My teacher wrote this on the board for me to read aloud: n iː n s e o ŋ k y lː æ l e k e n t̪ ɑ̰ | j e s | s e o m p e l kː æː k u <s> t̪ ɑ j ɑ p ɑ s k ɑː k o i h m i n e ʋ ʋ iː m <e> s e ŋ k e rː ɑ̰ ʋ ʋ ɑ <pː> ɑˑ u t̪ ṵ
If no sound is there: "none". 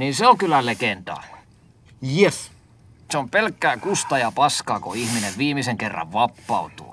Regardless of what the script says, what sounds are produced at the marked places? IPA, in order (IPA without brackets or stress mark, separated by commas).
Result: s, i, pː